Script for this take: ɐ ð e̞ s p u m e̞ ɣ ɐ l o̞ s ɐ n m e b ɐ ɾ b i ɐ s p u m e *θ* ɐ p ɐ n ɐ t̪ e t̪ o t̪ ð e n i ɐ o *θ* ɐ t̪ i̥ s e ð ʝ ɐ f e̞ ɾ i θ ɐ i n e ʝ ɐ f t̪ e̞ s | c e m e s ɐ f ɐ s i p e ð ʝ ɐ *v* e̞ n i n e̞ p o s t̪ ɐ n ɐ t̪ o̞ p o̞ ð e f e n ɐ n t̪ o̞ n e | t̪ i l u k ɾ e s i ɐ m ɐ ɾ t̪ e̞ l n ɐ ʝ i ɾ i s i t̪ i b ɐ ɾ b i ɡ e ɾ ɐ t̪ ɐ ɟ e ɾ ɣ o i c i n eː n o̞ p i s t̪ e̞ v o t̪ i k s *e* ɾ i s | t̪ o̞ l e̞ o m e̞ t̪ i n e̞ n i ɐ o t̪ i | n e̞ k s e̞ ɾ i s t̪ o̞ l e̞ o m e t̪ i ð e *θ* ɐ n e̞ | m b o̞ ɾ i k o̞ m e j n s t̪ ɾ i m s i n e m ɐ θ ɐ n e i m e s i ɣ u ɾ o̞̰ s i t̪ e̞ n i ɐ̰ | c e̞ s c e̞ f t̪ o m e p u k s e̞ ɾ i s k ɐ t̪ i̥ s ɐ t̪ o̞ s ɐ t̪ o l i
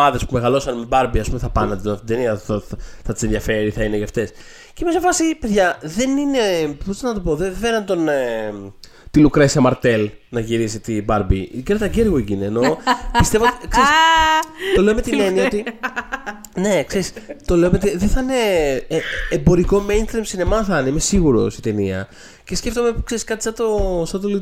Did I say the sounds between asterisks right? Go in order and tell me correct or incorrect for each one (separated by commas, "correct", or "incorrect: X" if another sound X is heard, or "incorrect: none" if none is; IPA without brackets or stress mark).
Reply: correct, correct, incorrect: ð, correct, correct